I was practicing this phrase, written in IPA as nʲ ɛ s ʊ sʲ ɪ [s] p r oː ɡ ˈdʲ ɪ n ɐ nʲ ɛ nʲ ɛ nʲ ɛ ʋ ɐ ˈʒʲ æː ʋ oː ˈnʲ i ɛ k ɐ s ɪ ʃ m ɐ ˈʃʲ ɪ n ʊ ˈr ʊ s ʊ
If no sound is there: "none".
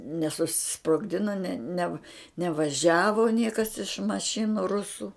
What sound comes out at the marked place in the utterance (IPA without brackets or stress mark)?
s